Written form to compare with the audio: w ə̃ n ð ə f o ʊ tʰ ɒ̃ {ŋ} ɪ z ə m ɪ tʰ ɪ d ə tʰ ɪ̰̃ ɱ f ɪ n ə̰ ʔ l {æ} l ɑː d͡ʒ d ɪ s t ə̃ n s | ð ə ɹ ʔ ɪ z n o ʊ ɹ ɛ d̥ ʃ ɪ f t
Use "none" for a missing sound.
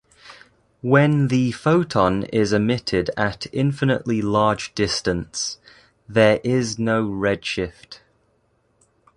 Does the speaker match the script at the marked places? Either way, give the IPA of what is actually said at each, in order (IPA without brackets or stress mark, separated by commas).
n, i